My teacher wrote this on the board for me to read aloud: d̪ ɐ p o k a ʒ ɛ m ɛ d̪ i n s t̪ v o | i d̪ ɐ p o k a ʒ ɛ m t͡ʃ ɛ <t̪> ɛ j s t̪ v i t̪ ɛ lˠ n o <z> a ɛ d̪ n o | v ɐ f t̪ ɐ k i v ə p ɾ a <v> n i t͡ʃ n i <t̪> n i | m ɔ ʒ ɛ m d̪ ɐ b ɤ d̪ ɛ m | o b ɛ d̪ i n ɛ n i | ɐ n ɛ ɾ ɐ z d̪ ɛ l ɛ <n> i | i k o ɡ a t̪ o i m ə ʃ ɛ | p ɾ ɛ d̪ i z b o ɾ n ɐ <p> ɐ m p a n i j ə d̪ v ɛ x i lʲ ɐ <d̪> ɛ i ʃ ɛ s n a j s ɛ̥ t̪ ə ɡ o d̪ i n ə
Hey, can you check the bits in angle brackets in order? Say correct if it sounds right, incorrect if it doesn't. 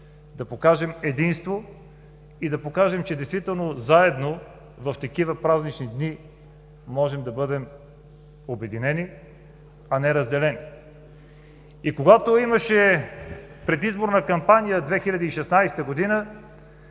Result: incorrect: d̪, correct, incorrect: z, incorrect: d̪, correct, incorrect: k, correct

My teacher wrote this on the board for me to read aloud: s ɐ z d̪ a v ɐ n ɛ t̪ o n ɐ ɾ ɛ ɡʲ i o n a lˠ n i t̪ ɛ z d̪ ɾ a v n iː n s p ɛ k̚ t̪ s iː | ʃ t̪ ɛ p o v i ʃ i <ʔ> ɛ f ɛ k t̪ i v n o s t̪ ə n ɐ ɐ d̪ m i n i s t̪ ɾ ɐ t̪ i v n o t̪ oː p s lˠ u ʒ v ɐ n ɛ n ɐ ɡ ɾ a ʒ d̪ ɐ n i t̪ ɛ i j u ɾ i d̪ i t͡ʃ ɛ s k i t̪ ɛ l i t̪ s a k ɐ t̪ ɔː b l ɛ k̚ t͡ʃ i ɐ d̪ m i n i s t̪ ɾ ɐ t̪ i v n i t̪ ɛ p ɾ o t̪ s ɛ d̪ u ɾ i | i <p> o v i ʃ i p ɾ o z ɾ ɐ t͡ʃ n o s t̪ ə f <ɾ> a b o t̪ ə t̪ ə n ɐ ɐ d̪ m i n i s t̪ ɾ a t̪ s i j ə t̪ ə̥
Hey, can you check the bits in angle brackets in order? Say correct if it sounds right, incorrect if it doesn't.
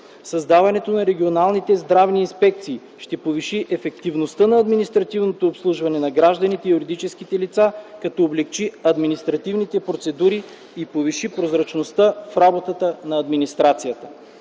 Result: correct, correct, correct

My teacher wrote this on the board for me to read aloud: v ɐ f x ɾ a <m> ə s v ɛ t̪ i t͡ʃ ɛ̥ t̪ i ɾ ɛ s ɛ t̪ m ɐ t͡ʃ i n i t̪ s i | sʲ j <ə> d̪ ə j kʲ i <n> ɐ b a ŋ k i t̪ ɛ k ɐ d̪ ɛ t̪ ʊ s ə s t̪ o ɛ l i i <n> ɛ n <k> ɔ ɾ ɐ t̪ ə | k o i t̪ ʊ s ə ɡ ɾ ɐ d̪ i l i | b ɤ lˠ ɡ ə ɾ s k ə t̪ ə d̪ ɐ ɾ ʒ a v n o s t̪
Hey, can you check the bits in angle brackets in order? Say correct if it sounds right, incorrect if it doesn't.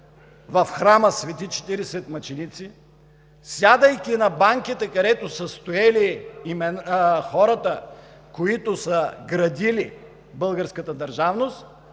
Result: correct, incorrect: a, correct, incorrect: m, incorrect: x

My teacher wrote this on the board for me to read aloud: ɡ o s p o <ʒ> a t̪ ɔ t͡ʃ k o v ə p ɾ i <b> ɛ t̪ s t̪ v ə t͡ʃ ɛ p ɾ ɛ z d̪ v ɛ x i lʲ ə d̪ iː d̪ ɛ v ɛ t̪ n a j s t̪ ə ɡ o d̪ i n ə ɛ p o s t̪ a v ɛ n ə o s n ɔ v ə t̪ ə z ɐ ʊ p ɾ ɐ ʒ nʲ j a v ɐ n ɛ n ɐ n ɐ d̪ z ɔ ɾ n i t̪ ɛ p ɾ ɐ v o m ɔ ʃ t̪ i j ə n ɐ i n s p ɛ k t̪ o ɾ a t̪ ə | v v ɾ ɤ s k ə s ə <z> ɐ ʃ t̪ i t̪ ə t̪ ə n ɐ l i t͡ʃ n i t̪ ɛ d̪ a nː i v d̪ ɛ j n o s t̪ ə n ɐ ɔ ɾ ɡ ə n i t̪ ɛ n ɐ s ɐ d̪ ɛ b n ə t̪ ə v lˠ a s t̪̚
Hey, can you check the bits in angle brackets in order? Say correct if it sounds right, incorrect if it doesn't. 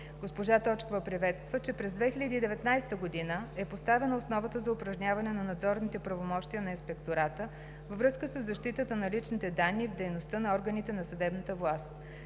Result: correct, incorrect: v, incorrect: zː

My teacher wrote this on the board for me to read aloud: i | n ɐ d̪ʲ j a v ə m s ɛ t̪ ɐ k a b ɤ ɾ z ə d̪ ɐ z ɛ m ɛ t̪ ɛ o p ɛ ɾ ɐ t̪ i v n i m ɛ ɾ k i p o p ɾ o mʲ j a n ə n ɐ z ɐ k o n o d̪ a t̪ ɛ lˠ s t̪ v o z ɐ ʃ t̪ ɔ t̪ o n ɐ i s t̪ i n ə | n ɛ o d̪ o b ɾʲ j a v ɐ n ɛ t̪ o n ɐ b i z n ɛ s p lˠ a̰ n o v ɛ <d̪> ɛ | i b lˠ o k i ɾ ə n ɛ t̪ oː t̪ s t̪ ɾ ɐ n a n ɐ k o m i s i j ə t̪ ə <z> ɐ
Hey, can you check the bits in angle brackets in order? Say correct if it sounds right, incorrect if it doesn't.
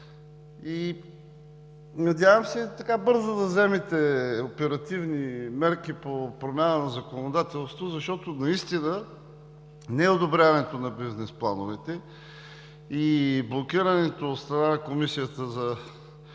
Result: incorrect: t̪, correct

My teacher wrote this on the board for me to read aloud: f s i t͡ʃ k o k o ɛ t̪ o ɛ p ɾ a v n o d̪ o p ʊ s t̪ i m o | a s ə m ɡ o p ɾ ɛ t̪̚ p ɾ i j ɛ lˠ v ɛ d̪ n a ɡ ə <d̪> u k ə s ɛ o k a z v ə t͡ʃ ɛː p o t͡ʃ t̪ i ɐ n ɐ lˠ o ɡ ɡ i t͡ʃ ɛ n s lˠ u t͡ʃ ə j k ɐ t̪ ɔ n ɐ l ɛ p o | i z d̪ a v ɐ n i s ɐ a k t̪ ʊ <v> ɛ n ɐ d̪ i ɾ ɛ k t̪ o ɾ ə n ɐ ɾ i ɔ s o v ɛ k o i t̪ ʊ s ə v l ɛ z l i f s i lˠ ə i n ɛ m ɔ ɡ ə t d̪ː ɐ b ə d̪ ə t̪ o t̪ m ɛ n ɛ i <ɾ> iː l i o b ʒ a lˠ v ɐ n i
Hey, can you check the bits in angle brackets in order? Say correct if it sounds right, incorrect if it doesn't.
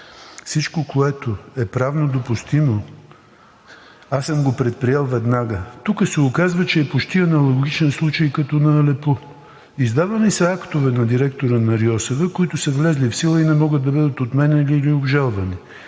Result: incorrect: t̪, correct, incorrect: l

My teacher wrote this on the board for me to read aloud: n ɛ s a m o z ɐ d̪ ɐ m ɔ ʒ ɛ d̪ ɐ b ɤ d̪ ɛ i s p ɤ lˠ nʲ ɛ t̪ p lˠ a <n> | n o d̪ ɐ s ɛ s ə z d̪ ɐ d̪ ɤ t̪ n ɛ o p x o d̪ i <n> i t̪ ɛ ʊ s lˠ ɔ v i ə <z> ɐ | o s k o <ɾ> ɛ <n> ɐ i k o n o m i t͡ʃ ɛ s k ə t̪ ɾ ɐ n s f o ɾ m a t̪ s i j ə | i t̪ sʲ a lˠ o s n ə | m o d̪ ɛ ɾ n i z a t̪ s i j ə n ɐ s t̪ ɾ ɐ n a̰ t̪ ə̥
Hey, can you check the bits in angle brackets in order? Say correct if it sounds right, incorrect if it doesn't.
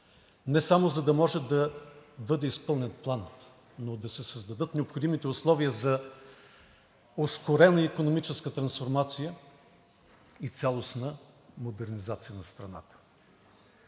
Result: correct, incorrect: m, correct, correct, correct

